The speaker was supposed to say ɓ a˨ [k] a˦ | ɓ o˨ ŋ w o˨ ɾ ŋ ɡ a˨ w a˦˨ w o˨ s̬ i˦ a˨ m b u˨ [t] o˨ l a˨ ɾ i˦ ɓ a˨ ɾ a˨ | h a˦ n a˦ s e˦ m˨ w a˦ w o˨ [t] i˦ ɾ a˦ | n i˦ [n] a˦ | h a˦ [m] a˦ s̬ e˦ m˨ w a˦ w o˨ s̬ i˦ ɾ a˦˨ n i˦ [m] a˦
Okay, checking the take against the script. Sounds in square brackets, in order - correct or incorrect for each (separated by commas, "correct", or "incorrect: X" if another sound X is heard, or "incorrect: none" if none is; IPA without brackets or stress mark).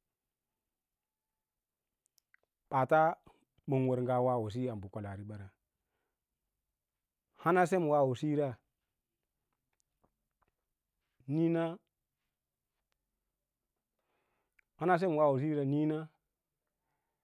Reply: incorrect: t, incorrect: k, incorrect: s, correct, incorrect: n, incorrect: n